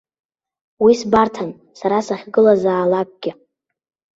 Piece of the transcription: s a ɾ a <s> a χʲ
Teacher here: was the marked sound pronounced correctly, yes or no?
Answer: yes